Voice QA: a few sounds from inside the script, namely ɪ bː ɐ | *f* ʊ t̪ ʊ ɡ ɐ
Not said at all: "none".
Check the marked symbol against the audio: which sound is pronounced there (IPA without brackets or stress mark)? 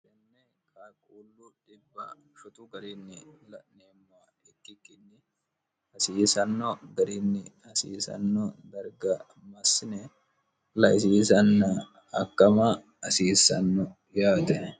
ʃ